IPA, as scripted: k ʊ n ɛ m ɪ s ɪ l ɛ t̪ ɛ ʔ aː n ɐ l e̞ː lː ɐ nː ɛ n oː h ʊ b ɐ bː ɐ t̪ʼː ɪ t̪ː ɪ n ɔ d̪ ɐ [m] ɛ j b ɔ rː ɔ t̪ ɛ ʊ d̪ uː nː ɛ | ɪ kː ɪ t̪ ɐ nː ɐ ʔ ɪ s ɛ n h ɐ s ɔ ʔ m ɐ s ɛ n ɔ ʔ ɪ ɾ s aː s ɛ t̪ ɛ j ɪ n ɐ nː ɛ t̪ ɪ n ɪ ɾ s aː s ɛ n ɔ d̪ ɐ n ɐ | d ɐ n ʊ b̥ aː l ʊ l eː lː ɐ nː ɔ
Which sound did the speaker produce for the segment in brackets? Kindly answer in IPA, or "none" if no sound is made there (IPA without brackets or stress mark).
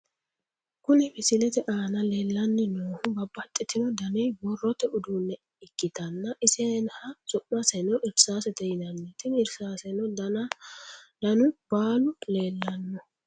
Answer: n